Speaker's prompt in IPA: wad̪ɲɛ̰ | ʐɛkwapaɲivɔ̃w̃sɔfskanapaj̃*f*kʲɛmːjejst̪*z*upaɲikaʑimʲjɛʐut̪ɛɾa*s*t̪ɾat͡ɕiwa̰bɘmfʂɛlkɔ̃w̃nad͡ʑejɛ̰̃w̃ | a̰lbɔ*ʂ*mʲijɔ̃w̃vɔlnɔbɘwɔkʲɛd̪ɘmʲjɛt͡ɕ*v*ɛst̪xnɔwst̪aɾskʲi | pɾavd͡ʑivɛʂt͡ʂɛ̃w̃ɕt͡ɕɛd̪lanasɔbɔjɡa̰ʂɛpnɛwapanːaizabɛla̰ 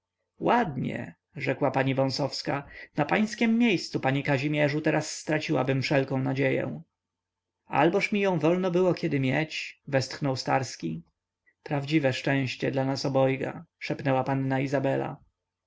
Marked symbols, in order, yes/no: no, no, no, yes, yes

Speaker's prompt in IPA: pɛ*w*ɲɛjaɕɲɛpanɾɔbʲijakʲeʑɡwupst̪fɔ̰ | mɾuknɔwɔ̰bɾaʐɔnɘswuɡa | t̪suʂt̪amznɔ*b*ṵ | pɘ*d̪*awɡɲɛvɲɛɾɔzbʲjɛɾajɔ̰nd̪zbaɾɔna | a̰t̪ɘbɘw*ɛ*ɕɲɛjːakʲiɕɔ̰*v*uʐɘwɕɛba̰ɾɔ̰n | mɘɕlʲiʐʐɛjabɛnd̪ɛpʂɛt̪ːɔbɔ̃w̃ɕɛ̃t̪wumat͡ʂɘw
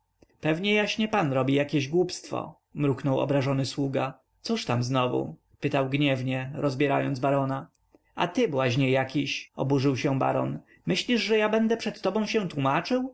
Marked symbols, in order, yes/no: no, no, no, no, no

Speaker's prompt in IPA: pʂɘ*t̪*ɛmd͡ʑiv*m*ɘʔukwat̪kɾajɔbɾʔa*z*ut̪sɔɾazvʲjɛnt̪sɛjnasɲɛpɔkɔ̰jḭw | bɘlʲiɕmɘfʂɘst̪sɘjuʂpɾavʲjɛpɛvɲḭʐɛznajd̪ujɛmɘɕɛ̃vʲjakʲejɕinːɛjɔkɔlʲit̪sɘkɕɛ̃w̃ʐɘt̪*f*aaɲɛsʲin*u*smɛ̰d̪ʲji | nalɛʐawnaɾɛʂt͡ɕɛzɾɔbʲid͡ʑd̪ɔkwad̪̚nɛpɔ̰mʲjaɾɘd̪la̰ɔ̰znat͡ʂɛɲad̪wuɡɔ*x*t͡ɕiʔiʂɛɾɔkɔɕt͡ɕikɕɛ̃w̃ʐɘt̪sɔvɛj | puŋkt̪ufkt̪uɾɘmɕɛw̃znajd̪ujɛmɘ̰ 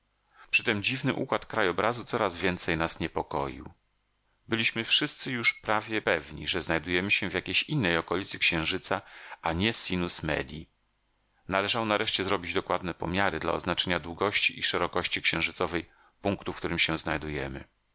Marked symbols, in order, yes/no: yes, no, yes, no, yes, no

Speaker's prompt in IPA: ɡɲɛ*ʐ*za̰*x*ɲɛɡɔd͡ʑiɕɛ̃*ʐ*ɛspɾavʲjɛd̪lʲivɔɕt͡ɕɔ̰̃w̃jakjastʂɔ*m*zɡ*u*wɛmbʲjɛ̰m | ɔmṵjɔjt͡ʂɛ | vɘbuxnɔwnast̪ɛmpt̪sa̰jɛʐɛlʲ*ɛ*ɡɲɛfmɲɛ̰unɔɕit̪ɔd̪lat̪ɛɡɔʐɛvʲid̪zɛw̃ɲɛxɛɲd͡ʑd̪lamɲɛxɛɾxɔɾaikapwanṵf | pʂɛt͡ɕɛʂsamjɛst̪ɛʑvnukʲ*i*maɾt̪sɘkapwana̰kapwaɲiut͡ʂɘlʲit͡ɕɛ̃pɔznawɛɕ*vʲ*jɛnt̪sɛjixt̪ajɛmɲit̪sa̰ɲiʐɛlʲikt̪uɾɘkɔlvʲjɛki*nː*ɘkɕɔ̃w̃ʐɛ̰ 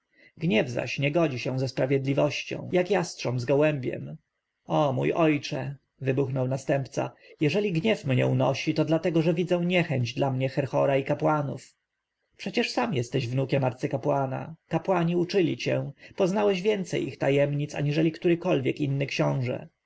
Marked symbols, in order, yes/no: no, no, no, yes, no, no, no, yes, yes

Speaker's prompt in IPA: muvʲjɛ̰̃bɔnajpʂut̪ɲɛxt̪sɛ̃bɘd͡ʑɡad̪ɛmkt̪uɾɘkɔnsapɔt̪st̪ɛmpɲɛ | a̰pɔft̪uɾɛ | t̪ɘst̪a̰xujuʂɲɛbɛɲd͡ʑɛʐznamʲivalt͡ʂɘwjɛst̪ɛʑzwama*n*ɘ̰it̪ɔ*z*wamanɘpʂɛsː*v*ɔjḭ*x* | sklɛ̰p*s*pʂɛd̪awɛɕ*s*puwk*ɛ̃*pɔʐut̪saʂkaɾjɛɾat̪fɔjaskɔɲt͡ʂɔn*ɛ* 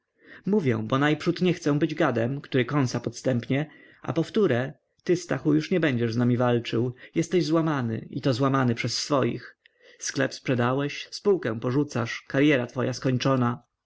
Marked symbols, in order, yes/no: yes, yes, no, yes, yes, yes, yes, no

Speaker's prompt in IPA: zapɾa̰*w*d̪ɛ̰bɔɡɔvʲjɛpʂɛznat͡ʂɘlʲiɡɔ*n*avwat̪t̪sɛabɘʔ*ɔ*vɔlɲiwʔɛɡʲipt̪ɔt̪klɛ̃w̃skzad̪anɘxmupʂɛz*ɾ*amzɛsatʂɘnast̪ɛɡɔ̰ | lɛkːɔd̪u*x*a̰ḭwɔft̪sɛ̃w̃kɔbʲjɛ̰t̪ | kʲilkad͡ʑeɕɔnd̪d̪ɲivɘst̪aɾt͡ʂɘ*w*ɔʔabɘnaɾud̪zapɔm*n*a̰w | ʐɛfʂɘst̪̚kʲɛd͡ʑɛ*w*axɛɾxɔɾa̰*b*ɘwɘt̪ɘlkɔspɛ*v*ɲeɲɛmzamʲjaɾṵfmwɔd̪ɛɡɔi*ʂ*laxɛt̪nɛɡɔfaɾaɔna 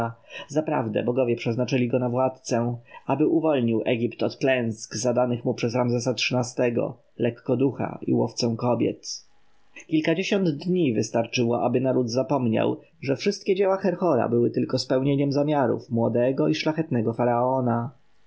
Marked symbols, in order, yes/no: no, yes, no, yes, yes, yes, no, yes, yes, no, yes

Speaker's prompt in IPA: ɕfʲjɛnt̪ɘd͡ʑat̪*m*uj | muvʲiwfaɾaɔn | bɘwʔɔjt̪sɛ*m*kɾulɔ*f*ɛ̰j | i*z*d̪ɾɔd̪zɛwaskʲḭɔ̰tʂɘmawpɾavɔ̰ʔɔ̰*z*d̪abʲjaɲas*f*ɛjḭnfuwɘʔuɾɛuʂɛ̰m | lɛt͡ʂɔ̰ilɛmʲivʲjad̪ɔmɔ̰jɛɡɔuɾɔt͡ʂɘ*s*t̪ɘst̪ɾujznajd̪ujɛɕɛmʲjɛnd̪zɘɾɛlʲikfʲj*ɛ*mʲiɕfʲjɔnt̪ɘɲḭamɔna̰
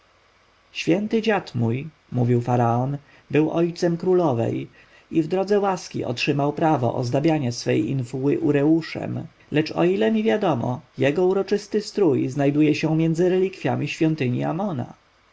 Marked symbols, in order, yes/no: yes, yes, no, no, yes, yes, yes, no

